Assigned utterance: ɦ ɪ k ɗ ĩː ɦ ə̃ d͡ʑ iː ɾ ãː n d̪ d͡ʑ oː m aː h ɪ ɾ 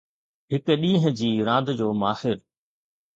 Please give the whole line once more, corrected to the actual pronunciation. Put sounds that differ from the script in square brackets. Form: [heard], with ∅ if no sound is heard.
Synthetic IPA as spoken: ɦ ɪ k ɗ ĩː ɦ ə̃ d͡ʑ iː ɾ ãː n d̪ d͡ʑ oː m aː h ɪ ɾ